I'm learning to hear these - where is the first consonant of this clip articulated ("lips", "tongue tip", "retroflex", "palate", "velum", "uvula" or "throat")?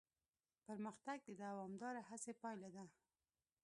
lips